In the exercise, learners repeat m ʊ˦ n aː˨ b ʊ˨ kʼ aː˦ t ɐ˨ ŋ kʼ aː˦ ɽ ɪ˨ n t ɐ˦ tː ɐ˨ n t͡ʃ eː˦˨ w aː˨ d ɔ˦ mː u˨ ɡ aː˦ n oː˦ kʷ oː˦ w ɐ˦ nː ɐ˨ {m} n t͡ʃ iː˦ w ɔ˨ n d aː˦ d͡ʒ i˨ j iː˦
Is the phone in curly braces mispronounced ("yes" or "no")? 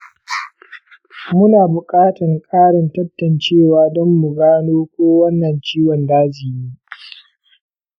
yes